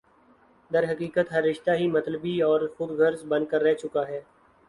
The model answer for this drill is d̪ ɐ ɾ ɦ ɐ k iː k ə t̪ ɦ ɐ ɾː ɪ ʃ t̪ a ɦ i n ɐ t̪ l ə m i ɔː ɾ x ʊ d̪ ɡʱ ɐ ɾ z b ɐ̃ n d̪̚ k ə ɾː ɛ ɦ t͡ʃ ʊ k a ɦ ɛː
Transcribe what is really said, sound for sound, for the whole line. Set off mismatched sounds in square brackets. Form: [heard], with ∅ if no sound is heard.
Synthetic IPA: d̪ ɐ ɾ ɦ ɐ k iː k ə t̪ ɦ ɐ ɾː ɪ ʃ t̪ a ɦ i [m] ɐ t̪ l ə [b] i ɔː ɾ x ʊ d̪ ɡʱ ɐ ɾ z b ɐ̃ n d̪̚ k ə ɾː ɛ ɦ t͡ʃ ʊ k a ɦ ɛː